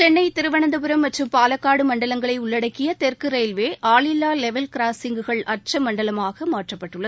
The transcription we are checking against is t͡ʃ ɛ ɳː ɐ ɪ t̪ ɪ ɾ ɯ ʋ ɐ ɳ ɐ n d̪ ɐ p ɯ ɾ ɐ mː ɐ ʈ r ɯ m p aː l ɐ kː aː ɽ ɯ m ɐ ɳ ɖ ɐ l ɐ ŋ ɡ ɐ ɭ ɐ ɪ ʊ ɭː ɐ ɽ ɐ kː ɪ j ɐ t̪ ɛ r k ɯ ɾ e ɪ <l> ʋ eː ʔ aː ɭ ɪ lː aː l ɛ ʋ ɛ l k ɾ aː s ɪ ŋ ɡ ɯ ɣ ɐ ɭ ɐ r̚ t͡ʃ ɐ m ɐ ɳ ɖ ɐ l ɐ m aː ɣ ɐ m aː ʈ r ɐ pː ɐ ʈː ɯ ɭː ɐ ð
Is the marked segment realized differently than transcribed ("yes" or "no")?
no